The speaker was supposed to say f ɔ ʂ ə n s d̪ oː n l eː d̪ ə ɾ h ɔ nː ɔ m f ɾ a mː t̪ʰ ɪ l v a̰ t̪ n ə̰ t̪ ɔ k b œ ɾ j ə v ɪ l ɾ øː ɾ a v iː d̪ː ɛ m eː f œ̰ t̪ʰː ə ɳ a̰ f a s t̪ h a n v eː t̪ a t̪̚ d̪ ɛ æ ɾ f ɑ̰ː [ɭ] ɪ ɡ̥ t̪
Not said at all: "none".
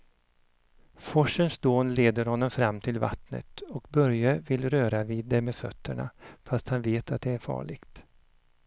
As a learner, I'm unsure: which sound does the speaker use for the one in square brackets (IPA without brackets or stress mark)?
ɭ